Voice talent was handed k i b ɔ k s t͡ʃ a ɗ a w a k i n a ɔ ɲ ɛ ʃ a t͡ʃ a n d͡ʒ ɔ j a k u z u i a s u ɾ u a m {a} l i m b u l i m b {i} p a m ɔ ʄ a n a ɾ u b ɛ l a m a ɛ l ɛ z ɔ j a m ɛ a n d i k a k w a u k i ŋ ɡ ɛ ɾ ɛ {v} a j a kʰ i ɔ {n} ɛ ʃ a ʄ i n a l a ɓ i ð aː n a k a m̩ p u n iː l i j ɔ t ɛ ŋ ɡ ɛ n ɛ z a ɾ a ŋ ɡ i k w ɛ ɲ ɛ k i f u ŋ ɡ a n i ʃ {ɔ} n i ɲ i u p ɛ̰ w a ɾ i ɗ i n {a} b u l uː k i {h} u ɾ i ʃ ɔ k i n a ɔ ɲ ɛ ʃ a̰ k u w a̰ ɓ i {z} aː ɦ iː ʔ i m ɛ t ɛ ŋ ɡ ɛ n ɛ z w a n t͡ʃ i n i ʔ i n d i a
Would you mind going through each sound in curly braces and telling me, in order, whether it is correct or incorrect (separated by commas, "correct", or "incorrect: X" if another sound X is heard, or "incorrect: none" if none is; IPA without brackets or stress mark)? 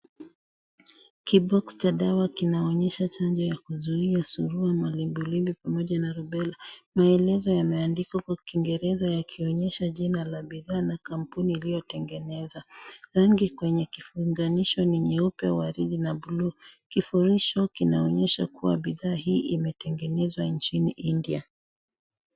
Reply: correct, correct, incorrect: z, incorrect: ɲ, correct, correct, incorrect: f, incorrect: ð